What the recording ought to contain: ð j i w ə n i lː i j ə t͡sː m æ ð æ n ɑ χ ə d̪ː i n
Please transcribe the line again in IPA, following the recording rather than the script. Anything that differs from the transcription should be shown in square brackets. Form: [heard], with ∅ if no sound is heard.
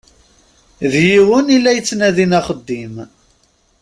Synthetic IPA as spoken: ð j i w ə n i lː [æ] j ə t͡sː [n] æ ð [i] n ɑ χ ə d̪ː i [m]